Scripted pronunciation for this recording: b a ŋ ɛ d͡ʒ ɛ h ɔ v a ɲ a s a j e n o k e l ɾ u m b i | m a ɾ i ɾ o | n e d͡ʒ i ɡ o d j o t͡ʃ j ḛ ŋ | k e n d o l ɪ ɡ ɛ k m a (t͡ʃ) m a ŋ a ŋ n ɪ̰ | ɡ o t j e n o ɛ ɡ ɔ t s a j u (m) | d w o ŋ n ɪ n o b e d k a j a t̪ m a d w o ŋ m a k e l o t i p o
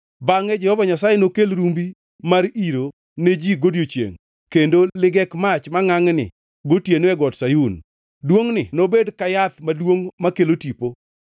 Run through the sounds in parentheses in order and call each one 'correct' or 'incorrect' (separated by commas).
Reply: correct, incorrect